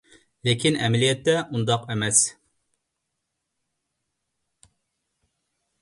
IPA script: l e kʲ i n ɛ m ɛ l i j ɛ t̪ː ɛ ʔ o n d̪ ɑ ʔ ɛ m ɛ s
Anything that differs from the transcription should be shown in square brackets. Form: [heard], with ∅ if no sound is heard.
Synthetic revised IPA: l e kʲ i n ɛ m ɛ l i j ɛ t̪ː ɛ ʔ [u] n d̪ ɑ [q] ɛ m ɛ s